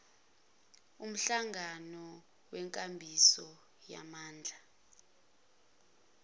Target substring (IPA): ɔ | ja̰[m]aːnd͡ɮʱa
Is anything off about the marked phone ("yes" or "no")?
no